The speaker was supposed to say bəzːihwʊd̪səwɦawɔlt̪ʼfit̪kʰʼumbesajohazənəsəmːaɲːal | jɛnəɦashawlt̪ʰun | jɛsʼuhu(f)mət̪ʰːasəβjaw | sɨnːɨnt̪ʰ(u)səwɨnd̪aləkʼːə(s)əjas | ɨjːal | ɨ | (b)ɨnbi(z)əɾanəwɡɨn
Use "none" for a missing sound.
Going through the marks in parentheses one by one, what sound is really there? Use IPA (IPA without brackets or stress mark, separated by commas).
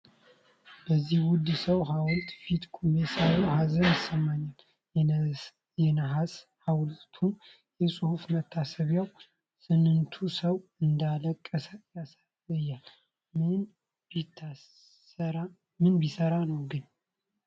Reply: f, u, s, m, s